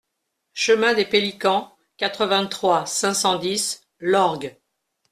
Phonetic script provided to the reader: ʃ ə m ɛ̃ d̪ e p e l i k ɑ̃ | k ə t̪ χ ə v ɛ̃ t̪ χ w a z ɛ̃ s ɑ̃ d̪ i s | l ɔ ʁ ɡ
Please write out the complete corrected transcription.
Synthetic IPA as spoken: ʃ ə m ɛ̃ d̪ e p e l i k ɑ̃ | k a t̪ χ ə v ɛ̃ t̪ χ w a s ɛ̃ s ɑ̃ d̪ i s | l ɔ ʁ ɡ